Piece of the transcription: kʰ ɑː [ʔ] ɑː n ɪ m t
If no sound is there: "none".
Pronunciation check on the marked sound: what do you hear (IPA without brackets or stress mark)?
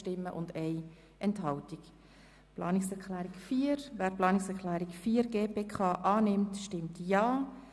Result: ʔ